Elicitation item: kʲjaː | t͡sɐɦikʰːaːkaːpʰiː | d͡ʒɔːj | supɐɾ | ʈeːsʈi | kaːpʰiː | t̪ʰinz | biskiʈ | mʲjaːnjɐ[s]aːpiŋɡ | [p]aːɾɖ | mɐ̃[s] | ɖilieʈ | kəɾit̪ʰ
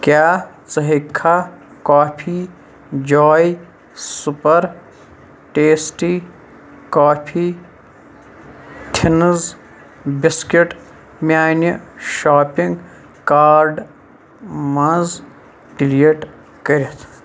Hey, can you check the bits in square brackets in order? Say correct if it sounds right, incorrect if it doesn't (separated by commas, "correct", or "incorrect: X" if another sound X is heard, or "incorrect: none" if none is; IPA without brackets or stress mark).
incorrect: ʃ, incorrect: k, incorrect: z